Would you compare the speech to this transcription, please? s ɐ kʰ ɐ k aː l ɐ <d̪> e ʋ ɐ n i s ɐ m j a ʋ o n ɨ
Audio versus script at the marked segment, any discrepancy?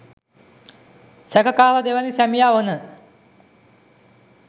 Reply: no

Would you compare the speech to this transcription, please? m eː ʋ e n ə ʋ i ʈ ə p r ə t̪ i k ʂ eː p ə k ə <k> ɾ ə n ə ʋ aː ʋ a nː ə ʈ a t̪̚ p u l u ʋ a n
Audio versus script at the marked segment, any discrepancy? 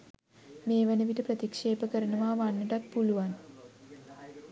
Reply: yes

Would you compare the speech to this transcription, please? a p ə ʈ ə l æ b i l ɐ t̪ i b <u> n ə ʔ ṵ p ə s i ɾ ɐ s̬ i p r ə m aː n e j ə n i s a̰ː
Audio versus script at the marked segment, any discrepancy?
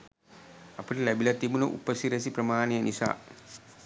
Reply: no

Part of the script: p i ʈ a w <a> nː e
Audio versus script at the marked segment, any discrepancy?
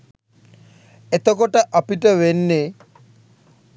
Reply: yes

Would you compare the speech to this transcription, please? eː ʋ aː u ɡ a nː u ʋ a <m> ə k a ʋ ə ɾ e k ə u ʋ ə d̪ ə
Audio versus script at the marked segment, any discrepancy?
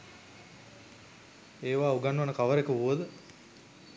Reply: yes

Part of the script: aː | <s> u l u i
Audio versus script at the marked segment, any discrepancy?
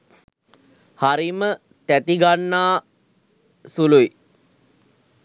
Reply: no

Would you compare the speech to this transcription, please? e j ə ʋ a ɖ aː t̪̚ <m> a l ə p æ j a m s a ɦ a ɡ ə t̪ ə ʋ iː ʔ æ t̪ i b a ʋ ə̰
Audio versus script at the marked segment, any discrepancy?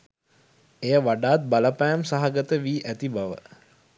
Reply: yes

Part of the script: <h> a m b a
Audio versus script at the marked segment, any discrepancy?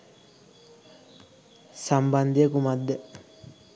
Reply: yes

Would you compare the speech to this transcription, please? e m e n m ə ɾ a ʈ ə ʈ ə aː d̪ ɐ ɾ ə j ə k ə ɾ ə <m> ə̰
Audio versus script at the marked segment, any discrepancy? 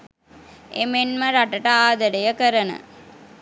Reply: yes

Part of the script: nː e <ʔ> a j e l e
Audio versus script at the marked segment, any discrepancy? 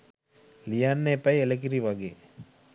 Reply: yes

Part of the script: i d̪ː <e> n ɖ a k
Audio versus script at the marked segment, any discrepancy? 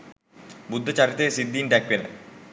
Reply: yes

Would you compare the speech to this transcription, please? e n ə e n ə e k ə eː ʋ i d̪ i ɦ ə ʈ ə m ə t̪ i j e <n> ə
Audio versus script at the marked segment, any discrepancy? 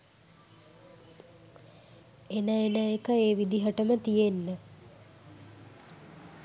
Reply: yes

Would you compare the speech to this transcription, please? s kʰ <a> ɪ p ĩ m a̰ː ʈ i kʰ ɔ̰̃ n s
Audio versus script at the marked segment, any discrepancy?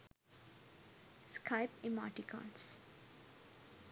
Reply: no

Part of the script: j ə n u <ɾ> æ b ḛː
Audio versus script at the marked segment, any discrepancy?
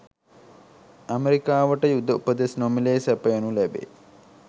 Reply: yes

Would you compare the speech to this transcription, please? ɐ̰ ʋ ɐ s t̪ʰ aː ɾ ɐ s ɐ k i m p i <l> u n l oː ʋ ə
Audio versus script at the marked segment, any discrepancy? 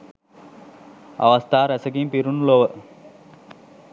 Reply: yes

